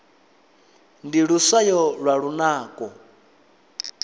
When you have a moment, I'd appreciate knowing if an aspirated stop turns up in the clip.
no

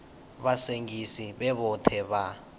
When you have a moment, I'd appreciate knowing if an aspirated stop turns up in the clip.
yes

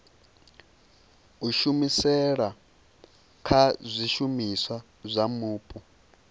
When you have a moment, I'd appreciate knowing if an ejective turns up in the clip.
yes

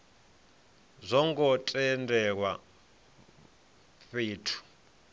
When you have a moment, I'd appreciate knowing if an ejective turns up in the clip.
yes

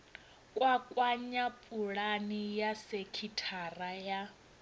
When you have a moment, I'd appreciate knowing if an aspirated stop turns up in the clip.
yes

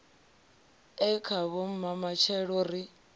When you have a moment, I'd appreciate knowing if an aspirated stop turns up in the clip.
yes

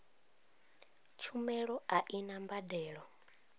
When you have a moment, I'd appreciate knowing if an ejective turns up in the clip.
no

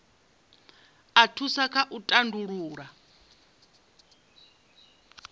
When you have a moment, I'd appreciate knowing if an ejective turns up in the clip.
yes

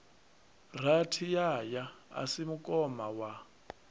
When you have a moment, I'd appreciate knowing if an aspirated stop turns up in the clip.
yes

